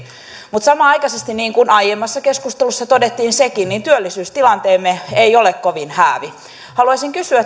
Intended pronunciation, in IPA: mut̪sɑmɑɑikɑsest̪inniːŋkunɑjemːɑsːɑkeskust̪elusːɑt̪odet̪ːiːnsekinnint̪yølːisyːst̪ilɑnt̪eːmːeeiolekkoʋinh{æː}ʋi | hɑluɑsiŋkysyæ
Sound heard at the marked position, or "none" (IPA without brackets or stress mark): æː